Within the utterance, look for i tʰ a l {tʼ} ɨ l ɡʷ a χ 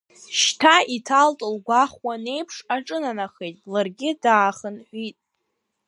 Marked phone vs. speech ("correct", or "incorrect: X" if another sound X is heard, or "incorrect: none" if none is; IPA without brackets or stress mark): correct